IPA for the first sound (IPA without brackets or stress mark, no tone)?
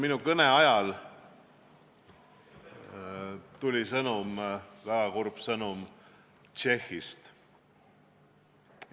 m